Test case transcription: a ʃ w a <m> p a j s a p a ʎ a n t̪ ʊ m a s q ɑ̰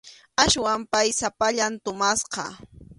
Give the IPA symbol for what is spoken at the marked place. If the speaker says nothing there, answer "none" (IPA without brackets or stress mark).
m